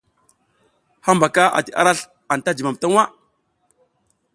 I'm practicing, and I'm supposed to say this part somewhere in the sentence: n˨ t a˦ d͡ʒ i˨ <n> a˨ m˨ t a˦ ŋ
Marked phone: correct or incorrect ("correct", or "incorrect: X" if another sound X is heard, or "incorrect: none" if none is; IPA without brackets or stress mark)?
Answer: incorrect: m